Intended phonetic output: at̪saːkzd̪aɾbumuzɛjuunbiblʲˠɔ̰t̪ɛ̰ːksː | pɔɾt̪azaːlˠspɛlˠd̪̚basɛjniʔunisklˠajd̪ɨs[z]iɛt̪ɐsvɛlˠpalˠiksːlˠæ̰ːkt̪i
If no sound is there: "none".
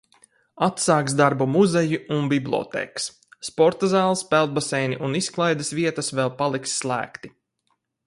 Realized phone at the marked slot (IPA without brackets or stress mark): v